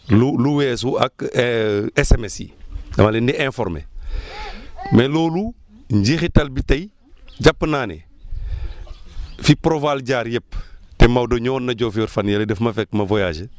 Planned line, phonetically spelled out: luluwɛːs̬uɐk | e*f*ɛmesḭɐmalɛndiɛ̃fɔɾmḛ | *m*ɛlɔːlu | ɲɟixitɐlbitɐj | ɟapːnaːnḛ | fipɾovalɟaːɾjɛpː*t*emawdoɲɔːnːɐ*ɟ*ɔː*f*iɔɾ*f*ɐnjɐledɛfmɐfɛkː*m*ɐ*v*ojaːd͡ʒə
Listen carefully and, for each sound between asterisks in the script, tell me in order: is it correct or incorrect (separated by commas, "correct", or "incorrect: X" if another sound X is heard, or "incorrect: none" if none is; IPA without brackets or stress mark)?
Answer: incorrect: s, correct, correct, correct, correct, correct, correct, correct